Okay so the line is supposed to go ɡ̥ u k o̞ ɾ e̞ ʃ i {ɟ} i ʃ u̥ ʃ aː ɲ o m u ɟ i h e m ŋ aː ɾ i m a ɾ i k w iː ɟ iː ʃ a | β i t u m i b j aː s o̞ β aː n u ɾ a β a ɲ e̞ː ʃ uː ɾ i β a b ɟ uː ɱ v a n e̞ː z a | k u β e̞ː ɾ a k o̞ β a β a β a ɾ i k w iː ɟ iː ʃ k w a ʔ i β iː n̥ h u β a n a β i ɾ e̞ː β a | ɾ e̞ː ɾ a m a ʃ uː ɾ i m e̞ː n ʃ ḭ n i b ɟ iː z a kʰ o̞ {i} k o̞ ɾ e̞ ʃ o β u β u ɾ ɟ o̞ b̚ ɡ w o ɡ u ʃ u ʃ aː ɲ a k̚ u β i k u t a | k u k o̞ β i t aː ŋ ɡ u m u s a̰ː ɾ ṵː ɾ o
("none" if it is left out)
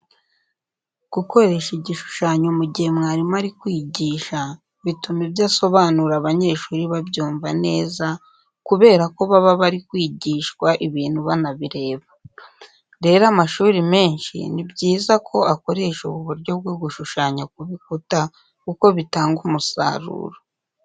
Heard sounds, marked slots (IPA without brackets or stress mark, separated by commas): ɟ, a